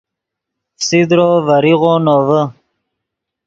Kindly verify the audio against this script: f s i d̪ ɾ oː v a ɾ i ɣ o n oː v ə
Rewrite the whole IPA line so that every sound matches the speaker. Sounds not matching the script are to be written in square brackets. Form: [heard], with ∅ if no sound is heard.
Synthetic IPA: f s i d̪ ɾ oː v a ɾ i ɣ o n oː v ə